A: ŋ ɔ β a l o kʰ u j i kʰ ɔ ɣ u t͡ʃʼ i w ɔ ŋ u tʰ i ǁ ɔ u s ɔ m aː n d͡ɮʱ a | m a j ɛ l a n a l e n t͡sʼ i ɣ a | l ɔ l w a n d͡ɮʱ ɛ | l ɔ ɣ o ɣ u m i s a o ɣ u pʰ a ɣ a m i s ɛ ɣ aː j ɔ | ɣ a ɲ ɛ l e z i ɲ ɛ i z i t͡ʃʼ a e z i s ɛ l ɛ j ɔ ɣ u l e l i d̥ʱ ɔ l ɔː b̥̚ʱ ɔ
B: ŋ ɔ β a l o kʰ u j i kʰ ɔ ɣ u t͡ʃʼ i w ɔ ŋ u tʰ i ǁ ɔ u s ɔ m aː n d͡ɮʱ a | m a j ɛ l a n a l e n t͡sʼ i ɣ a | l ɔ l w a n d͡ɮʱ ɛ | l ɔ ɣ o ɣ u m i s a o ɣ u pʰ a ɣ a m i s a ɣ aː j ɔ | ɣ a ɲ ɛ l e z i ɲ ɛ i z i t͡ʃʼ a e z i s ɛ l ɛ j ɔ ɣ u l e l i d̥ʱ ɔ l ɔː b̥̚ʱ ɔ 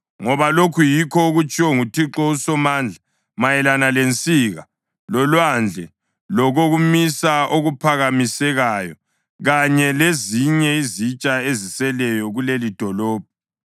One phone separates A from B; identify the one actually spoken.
A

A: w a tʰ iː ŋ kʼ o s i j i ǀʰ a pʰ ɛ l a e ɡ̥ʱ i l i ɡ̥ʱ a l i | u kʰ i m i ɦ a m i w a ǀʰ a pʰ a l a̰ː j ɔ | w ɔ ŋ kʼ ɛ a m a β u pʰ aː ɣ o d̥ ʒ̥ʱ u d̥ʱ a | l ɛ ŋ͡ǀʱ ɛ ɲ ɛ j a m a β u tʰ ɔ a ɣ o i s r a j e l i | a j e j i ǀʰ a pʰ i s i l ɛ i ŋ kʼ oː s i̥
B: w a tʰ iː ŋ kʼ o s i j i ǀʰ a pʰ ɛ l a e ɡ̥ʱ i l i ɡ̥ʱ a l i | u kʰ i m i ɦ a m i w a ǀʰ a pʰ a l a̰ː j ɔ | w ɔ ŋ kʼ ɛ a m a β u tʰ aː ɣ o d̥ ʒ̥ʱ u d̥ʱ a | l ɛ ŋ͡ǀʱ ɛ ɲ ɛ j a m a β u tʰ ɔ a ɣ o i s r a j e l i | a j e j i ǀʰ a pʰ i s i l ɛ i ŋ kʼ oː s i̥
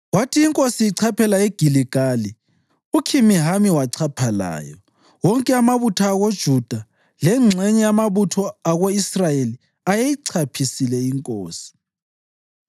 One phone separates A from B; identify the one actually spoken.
B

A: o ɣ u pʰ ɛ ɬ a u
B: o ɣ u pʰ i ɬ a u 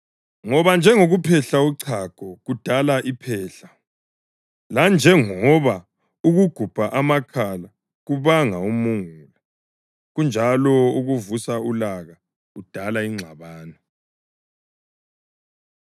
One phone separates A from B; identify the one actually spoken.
A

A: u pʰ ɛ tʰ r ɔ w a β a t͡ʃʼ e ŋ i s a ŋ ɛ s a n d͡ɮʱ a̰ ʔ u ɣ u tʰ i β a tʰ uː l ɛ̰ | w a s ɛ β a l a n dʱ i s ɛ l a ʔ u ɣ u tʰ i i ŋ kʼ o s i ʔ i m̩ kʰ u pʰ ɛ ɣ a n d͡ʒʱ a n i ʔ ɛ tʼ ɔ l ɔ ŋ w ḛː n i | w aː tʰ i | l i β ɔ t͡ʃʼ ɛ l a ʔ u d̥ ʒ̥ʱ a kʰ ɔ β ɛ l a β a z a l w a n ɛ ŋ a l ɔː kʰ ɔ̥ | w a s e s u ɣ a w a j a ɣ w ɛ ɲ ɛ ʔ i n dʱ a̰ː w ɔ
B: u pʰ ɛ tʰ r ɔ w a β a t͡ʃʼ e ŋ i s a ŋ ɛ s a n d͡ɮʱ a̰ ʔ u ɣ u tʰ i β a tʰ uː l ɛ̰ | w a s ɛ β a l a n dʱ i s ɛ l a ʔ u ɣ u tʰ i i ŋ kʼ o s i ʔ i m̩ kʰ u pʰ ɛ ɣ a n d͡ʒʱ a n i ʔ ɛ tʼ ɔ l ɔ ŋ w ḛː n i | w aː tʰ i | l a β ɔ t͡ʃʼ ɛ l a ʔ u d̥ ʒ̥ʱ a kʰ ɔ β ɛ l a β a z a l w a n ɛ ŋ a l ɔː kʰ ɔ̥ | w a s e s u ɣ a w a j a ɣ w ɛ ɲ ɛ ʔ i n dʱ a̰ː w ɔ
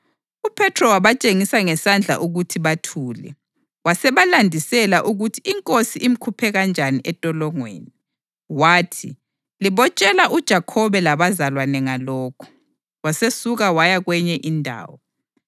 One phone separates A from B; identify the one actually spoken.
A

